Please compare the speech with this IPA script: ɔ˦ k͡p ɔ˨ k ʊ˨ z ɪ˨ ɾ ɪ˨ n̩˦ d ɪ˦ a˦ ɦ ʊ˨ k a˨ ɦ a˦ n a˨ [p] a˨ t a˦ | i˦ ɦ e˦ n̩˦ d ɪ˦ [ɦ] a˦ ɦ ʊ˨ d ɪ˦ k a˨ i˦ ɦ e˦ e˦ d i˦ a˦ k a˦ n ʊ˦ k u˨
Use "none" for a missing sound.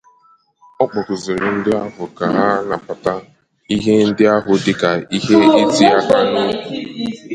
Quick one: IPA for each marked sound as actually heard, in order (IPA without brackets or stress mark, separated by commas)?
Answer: p, none